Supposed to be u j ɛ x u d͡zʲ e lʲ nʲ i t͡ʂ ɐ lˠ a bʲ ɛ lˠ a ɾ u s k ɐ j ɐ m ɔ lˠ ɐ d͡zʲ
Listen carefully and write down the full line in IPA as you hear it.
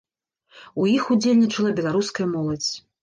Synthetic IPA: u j i x u d͡zʲ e lʲ nʲ i t͡ʂ ɐ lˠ ɐ bʲ ɛ lˠ a ɾ u s k ɐ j ɐ m ɔ lˠ ɐ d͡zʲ